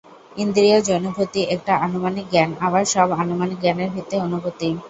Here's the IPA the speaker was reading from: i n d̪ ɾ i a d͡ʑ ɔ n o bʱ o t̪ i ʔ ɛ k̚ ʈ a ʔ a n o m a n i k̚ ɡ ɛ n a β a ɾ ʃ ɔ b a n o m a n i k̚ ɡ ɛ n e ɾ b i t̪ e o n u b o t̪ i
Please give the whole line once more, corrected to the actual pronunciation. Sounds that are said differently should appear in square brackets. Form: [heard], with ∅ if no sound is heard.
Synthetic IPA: i n d̪ ɾ i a d͡ʑ ɔ n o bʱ o t̪ i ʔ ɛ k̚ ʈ a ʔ a n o m a n i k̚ ɡ ɛ n a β a ɾ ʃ ɔ b a n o m a n i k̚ ɡ ɛ n e ɾ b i t̪ e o n u b o t̪ i